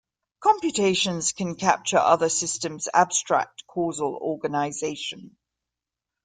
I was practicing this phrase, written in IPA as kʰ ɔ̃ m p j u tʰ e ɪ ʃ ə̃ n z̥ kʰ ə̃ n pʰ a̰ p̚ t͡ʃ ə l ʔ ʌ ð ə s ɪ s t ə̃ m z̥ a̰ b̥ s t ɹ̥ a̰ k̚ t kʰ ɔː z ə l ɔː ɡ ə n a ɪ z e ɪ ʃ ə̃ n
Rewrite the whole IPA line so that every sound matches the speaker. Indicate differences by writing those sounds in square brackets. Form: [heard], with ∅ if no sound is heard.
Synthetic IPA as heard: kʰ [ɒ̃] m p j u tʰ e ɪ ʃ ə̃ n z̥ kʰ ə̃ n [kʰ] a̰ p̚ t͡ʃ ə [ɹ] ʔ ʌ ð ə s ɪ s t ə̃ m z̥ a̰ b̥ s t ɹ̥ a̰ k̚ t kʰ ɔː z ə l ɔː ɡ ə n a ɪ z e ɪ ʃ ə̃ n